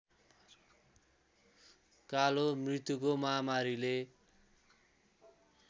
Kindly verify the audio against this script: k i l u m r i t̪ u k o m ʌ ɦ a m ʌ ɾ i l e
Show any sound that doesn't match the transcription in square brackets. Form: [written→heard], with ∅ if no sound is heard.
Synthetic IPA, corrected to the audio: k [i→a] l [u→o] m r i t̪ u k o m ʌ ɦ a m [ʌ→a] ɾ i l e